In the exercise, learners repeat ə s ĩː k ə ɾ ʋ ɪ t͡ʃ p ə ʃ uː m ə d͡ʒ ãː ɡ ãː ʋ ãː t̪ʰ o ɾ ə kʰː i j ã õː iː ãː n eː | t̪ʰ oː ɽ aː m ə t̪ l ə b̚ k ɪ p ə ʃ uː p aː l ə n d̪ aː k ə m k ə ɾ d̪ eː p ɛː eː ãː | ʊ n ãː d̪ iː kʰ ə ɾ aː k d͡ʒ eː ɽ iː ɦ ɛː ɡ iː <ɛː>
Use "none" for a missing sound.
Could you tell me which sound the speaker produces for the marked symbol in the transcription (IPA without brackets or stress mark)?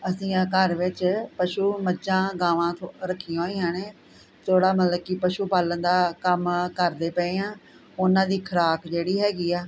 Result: aː